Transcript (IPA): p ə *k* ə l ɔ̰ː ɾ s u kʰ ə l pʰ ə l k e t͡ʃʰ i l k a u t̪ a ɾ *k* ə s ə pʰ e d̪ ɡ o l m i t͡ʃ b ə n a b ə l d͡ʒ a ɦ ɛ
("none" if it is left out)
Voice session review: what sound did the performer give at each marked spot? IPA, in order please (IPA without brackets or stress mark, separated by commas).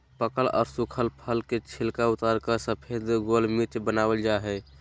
k, k